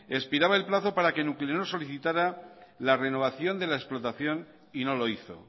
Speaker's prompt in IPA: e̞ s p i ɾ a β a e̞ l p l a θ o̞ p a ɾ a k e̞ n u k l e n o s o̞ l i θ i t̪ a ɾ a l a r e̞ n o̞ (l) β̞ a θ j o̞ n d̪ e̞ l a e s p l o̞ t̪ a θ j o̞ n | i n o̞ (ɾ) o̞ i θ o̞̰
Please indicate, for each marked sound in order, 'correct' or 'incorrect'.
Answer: incorrect, incorrect

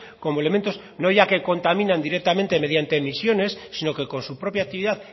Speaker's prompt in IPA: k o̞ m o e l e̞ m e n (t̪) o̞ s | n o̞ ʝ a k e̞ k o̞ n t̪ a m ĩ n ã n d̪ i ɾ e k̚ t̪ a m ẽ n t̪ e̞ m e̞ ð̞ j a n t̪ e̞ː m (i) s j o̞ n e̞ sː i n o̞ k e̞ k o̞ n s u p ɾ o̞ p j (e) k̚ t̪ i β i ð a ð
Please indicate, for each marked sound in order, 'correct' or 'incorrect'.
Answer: correct, correct, incorrect

